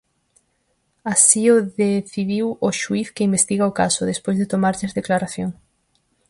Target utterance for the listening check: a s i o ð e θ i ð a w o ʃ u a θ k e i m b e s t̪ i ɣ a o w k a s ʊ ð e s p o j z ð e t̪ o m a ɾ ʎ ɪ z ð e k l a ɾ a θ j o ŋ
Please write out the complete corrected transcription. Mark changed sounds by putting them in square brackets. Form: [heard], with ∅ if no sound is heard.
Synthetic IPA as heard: a s i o ð e θ i ð [i] w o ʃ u [i] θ k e i m b e s t̪ i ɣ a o [∅] k a s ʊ ð e s p o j z ð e t̪ o m a ɾ ʎ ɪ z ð e k l a ɾ a θ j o ŋ